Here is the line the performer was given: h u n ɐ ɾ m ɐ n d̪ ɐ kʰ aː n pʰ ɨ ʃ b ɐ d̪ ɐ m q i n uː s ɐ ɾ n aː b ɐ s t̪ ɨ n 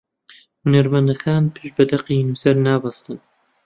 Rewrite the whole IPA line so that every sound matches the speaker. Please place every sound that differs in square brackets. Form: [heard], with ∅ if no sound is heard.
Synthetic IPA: h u n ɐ ɾ m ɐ n d̪ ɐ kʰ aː n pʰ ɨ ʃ b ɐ d̪ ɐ [∅] q i n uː s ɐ ɾ n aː b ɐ s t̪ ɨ n